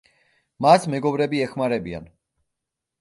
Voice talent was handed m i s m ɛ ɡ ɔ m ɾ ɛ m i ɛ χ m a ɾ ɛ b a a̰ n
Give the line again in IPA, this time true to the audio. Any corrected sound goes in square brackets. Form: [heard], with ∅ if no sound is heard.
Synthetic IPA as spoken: m [a] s m ɛ ɡ ɔ [b] ɾ ɛ [b] i ɛ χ m a ɾ ɛ b [i] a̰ n